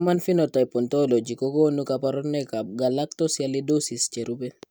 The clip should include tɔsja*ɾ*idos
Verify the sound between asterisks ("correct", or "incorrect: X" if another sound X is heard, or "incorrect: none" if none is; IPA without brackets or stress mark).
incorrect: l